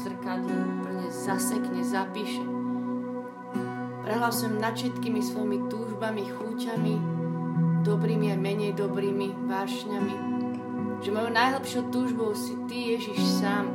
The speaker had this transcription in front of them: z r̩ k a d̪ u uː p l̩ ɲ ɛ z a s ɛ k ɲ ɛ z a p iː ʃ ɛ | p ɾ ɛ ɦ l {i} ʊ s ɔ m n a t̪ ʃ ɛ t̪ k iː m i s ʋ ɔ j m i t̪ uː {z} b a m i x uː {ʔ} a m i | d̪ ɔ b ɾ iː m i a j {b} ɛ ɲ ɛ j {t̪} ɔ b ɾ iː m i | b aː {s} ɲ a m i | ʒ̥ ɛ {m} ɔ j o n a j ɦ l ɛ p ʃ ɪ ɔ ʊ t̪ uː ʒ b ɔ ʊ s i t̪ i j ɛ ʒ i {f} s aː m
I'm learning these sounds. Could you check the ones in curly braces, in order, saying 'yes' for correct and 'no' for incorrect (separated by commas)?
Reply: no, no, no, no, no, no, yes, no